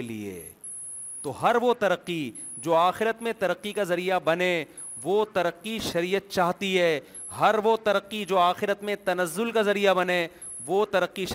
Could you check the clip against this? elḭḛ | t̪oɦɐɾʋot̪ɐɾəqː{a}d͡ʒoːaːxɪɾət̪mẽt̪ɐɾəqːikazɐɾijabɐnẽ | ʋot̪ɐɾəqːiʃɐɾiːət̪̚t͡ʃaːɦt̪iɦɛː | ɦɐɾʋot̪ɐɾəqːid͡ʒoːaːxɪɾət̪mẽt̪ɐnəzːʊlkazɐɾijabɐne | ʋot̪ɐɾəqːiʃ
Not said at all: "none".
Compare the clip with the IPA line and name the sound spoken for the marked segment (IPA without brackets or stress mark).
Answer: i